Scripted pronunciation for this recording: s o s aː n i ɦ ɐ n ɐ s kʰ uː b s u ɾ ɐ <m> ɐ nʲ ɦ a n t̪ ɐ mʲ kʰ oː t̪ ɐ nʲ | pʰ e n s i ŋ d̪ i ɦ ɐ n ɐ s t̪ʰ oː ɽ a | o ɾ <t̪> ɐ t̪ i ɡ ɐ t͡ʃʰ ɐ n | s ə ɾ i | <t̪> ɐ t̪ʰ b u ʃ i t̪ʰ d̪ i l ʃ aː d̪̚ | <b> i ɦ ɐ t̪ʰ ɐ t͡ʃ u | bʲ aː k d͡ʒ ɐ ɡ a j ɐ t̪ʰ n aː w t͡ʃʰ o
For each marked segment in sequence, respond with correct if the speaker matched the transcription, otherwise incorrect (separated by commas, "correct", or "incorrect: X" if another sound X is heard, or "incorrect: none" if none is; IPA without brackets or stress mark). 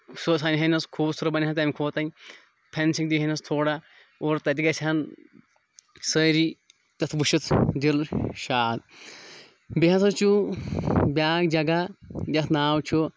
incorrect: b, correct, correct, correct